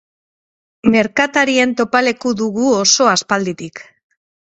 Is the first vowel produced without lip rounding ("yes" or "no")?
yes